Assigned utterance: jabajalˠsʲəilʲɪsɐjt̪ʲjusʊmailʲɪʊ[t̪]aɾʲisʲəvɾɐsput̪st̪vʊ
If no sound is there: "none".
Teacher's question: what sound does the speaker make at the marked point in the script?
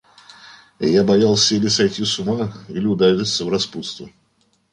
d̪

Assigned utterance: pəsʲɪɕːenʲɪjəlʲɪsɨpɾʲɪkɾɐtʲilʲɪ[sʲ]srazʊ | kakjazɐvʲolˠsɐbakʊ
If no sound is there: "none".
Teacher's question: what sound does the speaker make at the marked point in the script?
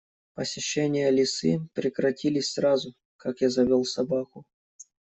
sʲ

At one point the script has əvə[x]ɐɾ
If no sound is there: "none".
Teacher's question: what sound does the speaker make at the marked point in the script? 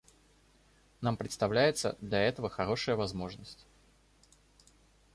x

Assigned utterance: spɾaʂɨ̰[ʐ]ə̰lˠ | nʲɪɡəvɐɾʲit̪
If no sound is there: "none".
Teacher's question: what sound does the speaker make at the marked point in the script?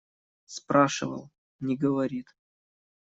v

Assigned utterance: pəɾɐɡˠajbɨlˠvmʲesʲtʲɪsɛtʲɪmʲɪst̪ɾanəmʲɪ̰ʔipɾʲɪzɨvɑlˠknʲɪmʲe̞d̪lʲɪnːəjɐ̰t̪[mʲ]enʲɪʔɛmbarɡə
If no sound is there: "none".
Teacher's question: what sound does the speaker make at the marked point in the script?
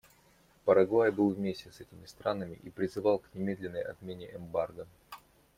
mʲ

